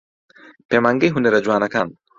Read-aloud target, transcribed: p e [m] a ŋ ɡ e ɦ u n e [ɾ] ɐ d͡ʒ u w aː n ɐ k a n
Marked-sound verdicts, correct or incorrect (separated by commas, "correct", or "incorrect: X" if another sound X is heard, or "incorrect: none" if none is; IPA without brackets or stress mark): correct, correct